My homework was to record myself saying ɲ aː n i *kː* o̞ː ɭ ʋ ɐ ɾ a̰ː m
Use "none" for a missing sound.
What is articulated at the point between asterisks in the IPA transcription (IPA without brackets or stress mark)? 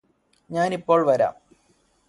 pː